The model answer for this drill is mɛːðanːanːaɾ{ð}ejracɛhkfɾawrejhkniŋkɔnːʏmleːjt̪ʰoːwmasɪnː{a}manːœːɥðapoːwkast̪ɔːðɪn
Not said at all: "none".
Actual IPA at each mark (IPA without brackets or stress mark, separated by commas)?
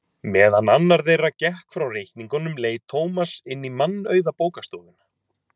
ð, i